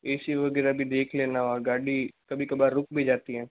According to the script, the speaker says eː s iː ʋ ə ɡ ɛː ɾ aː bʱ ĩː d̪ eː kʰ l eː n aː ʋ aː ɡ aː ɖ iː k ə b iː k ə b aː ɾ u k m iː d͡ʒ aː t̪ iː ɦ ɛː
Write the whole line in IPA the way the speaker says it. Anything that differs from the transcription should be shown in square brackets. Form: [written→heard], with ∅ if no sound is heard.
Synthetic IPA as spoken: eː s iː ʋ ə ɡ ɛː ɾ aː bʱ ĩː d̪ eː kʰ l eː n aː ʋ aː ɡ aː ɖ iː k ə b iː k ə b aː ɾ [u→ʊ] k [m→b] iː d͡ʒ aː t̪ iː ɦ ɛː